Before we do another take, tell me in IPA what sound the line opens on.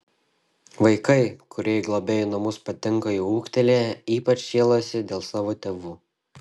ʋ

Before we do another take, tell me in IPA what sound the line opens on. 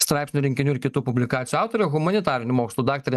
s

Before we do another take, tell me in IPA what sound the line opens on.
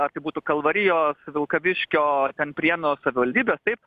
ɐ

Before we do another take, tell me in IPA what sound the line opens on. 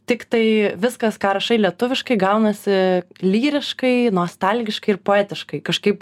t̪ʲ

